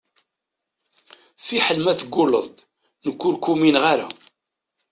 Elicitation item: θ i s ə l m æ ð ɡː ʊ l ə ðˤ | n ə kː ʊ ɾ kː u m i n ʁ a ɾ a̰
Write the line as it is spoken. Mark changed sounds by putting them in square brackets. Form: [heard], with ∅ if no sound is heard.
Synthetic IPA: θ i [ħ] ə l m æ [θ] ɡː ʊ l ə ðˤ | n ə kː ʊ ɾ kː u m i n ʁ a ɾ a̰